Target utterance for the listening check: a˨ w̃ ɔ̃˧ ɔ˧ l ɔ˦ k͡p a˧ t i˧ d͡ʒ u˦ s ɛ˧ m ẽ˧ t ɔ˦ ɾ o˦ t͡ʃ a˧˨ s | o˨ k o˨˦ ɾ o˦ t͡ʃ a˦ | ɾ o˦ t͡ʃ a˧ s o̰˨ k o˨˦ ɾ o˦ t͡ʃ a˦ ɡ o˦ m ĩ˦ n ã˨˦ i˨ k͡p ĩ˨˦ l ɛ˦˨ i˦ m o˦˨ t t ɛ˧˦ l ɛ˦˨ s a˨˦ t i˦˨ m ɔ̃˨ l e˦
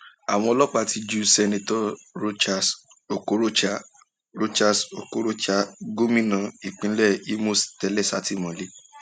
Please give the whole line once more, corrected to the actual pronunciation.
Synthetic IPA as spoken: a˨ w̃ ɔ̃˧ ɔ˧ l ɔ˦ k͡p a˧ t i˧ d͡ʒ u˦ s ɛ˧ n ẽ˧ t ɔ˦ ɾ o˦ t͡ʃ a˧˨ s | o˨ k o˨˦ ɾ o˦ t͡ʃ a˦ | ɾ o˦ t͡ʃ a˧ s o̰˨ k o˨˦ ɾ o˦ t͡ʃ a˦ ɡ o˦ m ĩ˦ n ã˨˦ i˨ k͡p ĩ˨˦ l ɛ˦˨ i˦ m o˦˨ s t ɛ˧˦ l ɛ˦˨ s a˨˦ t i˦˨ m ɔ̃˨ l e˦